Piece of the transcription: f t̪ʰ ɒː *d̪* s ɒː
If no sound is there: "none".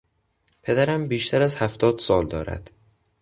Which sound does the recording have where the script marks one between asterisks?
d̪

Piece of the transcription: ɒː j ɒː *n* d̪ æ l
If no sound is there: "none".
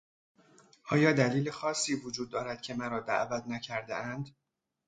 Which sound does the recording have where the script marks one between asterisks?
none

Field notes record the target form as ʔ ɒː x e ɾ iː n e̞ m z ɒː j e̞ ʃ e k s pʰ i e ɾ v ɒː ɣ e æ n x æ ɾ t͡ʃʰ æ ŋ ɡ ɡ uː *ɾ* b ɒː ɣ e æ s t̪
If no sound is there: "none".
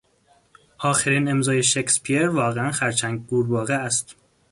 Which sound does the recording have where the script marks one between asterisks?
ɾ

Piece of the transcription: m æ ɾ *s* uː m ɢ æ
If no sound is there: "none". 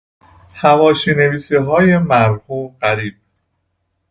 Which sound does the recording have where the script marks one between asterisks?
h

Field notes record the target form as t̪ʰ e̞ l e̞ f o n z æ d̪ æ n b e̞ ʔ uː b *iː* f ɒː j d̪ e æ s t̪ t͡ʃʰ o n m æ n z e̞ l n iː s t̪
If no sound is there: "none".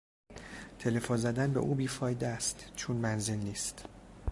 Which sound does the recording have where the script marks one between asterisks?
iː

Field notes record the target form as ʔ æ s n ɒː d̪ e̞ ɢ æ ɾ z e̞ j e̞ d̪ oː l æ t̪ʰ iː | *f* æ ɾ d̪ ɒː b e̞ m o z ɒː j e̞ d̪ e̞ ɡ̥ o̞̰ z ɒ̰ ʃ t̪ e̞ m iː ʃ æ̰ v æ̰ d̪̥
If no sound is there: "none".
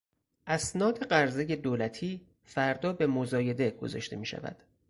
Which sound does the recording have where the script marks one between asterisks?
f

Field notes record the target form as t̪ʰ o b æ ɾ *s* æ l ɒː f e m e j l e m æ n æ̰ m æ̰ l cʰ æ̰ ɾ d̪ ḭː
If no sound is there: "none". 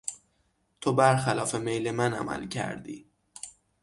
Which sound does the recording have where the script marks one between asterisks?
x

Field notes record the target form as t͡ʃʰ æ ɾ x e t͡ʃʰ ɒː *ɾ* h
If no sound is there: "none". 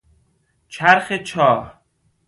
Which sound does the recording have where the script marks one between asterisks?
none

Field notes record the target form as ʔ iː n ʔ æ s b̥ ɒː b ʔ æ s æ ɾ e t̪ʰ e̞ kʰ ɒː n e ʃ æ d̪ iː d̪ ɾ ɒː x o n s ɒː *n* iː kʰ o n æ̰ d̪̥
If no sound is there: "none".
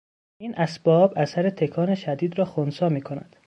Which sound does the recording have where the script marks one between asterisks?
m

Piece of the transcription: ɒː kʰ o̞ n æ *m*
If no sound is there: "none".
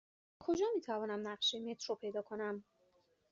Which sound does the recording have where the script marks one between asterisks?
m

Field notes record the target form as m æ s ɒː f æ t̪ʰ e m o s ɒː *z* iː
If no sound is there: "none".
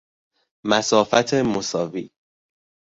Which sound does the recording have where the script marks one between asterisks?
v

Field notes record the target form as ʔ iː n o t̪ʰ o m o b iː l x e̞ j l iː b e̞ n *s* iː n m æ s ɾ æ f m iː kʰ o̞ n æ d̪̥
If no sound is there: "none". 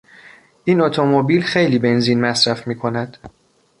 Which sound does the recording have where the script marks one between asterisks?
z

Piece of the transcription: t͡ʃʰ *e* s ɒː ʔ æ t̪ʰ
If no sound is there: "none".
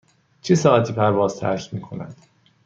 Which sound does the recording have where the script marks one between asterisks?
e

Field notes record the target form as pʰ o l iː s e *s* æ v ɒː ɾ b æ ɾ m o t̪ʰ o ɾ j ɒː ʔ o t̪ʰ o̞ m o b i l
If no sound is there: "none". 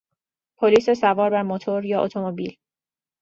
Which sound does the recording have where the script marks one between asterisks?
s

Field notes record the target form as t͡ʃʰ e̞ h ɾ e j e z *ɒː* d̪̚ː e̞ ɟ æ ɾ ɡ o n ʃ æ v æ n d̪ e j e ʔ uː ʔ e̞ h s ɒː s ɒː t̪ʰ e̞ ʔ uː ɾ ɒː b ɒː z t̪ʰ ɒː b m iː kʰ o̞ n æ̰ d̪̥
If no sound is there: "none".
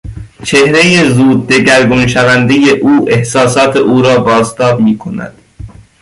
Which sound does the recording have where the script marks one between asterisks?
uː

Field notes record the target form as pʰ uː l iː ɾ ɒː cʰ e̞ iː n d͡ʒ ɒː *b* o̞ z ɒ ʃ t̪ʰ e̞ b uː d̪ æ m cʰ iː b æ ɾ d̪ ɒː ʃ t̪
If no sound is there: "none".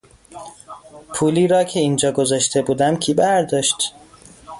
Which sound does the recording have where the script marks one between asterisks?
ɡ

